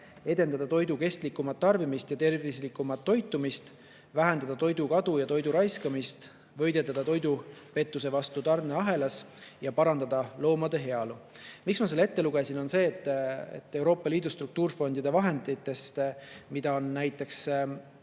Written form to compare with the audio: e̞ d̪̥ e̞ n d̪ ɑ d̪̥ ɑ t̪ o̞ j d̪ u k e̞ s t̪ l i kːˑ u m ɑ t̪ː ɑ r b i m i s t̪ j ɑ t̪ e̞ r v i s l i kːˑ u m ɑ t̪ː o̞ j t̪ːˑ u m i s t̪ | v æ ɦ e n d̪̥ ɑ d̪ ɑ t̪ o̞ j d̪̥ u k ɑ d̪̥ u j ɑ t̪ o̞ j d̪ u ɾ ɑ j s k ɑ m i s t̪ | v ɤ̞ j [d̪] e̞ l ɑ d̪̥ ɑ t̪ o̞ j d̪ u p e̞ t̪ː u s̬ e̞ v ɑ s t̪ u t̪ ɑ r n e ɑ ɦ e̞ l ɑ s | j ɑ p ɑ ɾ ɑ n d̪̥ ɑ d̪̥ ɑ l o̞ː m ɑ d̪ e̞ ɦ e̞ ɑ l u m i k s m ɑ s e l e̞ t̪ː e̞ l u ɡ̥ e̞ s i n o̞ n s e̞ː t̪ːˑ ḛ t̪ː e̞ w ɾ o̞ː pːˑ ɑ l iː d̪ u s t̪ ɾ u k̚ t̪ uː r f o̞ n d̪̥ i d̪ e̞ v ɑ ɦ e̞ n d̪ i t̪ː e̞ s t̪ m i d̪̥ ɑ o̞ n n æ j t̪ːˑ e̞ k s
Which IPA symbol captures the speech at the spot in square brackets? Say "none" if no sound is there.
d̪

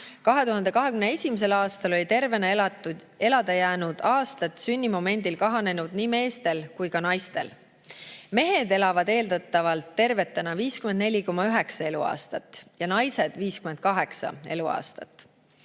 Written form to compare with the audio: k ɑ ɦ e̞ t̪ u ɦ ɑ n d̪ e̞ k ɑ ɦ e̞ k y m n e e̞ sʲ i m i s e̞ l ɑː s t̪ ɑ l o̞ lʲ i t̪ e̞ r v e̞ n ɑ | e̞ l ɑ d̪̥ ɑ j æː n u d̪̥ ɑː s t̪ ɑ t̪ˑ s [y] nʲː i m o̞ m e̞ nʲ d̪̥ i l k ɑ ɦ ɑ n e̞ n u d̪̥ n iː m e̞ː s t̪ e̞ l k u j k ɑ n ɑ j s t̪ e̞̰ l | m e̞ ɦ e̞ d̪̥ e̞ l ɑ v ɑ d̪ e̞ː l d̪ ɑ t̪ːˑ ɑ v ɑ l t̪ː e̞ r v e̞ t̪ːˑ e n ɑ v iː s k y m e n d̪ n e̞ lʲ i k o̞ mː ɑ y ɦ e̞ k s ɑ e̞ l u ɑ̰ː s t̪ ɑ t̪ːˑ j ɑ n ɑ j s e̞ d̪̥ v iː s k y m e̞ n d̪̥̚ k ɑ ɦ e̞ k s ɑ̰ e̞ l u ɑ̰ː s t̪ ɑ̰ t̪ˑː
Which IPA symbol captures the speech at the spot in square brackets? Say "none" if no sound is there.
y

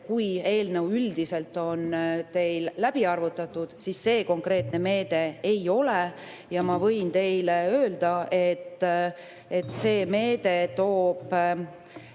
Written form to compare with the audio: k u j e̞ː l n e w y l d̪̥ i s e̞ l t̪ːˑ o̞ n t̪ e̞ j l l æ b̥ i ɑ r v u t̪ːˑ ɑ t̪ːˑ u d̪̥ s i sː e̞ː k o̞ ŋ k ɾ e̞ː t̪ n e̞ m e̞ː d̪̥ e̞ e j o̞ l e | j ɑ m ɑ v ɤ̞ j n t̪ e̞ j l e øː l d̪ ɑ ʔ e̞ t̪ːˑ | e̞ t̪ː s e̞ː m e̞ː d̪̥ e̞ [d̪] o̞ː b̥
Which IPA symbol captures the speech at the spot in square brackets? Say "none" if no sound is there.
t̪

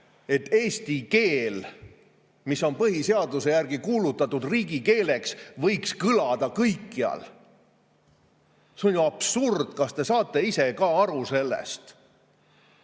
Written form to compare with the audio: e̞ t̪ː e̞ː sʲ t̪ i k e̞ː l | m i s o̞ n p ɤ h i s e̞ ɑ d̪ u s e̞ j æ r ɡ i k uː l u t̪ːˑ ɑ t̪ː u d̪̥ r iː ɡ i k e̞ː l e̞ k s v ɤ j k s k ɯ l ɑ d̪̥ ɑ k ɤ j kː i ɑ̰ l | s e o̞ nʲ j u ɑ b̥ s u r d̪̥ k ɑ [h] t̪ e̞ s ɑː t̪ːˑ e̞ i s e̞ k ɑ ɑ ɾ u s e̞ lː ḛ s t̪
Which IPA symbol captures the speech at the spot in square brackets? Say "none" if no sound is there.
s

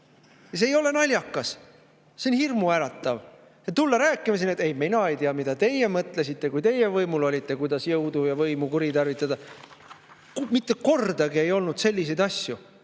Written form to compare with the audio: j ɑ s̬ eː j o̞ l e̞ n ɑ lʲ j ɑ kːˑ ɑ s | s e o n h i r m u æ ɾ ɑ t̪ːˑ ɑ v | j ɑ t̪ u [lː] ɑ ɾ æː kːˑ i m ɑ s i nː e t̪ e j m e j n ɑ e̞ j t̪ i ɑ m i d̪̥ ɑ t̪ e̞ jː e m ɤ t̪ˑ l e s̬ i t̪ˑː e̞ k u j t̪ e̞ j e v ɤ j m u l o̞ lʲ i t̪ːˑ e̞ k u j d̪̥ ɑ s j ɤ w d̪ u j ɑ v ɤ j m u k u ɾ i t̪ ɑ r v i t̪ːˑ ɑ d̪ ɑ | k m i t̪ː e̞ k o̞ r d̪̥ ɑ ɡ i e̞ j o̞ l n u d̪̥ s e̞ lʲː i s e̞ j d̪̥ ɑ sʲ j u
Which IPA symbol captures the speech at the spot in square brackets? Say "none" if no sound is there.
lː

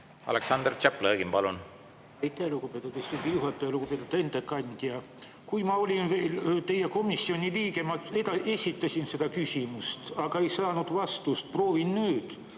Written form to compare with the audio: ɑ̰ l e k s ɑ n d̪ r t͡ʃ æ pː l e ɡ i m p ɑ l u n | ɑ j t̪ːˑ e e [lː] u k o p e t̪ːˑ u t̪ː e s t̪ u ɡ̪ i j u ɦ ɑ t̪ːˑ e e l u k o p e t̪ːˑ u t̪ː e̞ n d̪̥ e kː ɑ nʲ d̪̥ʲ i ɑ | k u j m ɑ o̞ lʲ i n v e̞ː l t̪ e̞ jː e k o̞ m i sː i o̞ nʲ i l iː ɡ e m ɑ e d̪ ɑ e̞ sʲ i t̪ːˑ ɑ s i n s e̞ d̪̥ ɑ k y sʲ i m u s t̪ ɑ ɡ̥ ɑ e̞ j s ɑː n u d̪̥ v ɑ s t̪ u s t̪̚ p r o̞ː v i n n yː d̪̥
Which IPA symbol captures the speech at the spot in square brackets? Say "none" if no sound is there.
l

